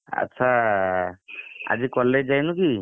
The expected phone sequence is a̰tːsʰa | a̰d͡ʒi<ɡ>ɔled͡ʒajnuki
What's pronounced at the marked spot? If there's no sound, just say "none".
k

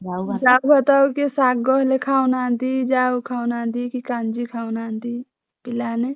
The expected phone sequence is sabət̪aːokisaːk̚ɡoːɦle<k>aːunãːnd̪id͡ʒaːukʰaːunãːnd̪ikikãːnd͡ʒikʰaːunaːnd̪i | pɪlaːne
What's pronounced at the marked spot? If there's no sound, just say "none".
kʰ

